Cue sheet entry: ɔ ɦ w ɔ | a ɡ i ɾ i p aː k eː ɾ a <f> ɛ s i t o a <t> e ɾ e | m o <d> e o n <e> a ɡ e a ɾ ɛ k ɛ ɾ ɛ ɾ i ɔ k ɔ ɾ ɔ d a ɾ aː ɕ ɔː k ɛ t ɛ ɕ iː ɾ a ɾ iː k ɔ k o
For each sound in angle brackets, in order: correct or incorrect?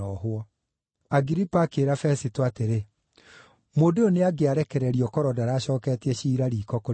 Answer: correct, correct, correct, correct

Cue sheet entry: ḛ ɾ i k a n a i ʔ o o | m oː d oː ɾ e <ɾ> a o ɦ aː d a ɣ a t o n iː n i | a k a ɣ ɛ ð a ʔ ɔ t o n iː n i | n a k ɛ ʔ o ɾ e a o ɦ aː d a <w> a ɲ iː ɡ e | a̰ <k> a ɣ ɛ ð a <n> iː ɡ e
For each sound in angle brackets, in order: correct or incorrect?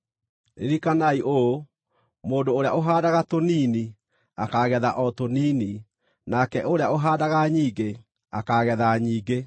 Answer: incorrect: none, incorrect: ɣ, correct, incorrect: ɲ

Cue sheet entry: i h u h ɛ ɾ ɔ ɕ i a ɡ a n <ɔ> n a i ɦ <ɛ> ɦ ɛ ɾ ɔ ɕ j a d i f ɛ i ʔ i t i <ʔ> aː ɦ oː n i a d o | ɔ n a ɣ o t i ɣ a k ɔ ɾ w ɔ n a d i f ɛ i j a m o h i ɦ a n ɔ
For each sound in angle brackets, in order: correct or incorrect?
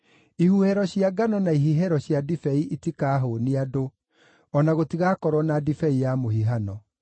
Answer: correct, incorrect: i, incorrect: k

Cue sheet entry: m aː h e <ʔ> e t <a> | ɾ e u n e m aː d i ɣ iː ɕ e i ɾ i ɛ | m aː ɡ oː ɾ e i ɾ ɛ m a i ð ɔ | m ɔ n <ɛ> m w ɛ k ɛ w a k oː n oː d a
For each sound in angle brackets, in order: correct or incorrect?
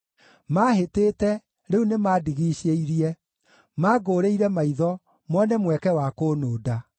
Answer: incorrect: t, incorrect: ɛ, correct

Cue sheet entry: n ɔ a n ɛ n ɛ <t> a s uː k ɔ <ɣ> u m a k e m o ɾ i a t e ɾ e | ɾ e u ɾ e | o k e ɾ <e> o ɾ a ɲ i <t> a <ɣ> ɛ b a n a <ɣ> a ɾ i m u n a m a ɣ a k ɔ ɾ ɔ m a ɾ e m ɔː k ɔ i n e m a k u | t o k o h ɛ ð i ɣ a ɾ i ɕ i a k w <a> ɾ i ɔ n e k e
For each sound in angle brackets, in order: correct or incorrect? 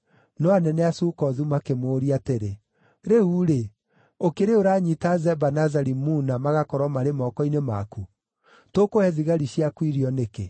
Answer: incorrect: none, incorrect: ð, correct, correct, incorrect: z, incorrect: z, incorrect: i

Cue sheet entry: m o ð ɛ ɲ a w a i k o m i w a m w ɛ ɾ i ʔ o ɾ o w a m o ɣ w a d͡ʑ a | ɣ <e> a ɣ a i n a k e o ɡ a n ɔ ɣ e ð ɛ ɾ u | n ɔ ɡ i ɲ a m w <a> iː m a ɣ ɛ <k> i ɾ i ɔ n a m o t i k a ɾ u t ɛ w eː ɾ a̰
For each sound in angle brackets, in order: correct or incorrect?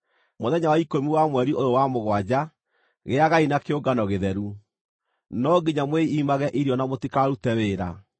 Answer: correct, incorrect: e, incorrect: ʔ

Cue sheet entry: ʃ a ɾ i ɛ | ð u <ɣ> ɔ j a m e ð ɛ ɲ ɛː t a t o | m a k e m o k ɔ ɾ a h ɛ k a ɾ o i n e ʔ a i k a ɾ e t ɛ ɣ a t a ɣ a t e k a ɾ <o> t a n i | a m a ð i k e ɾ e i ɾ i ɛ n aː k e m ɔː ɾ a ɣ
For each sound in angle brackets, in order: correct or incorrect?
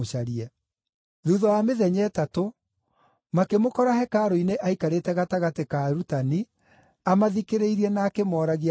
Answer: incorrect: ð, incorrect: u

